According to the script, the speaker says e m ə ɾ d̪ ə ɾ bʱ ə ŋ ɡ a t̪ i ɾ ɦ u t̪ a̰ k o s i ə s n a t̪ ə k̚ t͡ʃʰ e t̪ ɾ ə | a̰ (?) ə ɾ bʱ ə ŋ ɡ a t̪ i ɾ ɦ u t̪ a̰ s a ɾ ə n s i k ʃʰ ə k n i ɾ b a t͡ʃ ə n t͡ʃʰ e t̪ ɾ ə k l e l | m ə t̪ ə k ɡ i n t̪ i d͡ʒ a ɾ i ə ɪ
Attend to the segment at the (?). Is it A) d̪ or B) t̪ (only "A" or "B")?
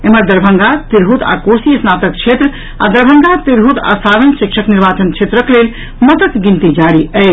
A